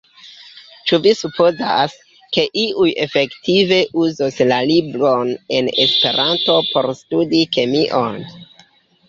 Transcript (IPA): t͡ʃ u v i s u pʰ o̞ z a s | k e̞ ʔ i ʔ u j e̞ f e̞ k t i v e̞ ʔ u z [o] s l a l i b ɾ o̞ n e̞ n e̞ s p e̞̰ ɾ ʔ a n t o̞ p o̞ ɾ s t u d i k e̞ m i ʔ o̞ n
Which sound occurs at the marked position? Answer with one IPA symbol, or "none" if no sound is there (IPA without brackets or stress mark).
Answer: o